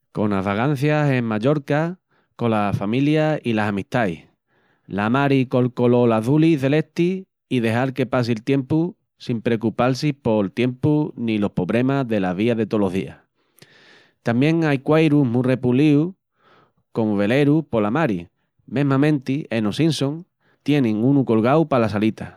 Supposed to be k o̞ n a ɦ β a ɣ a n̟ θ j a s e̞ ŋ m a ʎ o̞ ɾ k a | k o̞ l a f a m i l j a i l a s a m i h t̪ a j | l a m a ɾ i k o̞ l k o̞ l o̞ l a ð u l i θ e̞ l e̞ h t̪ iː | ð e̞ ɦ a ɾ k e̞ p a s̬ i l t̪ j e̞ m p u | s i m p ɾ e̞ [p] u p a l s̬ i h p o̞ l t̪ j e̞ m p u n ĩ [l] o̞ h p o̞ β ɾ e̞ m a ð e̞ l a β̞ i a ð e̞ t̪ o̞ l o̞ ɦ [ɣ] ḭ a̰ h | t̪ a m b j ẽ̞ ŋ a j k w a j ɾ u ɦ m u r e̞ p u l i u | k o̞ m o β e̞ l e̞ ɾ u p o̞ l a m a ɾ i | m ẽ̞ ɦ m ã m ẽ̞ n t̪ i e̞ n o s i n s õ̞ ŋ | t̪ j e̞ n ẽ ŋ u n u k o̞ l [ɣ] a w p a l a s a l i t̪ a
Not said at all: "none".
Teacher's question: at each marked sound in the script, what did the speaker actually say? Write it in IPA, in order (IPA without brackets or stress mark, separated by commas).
k, l, ð, ɣ